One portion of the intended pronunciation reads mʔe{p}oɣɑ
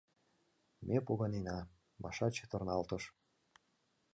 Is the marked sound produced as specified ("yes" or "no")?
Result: yes